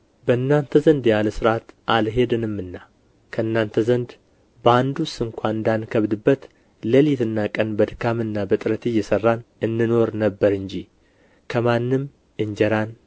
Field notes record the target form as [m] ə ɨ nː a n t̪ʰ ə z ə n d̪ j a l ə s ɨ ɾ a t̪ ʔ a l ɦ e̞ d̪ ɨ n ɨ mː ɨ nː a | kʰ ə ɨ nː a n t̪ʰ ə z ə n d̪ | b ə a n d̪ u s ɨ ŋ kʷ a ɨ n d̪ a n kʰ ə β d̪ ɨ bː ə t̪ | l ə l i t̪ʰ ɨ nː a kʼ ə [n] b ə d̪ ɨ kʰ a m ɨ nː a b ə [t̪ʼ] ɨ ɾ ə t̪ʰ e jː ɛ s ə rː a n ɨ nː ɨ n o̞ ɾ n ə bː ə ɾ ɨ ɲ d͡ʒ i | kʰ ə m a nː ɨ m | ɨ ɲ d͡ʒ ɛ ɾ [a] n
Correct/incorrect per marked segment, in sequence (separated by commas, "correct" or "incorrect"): incorrect, correct, correct, correct